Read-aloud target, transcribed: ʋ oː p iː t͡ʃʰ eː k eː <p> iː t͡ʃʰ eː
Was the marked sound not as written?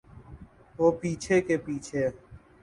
no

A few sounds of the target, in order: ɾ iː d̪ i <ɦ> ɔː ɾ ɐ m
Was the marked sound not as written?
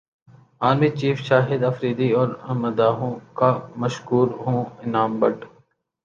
yes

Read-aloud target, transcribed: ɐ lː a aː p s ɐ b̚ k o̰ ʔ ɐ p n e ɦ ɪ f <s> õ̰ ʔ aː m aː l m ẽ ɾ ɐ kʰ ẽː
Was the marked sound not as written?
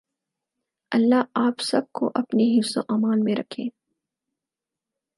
no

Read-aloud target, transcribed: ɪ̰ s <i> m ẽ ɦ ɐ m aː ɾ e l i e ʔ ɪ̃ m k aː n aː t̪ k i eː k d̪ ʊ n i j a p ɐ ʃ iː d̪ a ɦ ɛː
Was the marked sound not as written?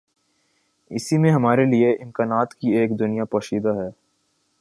no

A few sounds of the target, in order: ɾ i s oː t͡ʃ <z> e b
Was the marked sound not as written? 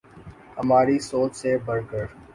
yes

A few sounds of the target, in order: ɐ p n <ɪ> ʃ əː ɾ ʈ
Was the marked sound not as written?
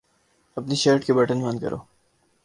yes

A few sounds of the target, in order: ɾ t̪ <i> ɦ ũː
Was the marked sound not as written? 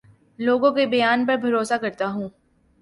yes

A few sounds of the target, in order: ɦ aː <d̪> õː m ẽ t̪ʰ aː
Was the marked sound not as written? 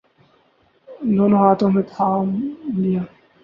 yes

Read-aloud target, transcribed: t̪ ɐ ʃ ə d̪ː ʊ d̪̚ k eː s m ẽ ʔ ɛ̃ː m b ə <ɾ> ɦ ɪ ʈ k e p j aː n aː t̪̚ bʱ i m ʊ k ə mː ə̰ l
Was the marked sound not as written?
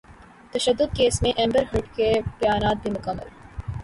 no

